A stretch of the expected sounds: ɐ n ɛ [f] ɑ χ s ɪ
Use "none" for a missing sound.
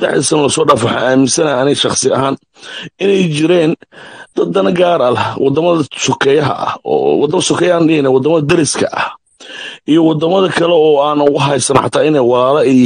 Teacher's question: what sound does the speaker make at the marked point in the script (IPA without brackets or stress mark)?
ʃ